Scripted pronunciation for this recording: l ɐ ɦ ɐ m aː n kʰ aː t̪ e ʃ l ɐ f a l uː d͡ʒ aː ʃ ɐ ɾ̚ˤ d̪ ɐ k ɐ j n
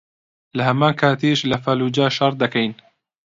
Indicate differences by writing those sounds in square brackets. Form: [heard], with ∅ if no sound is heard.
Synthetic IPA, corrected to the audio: l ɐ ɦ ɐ m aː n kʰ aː t̪ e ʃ l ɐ f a l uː d͡ʒ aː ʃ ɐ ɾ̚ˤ d̪ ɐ k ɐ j n

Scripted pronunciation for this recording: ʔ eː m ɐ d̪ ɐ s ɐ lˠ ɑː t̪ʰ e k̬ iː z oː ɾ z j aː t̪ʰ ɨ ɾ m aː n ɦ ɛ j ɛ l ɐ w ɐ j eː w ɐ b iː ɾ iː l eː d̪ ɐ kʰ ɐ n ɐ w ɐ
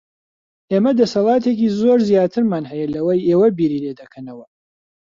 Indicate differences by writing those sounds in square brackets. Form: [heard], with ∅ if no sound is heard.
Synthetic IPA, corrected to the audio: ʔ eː m ɐ d̪ ɐ s ɐ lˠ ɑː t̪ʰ e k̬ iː z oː ɾ z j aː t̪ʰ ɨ ɾ m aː n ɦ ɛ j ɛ l ɐ w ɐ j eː w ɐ b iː ɾ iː l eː d̪ ɐ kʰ ɐ n ɐ w ɐ

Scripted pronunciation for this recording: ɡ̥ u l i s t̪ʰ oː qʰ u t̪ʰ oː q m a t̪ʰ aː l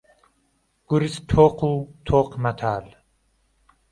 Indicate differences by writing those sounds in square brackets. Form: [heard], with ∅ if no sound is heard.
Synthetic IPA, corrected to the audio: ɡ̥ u [ɾ] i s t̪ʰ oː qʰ u t̪ʰ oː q m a t̪ʰ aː l

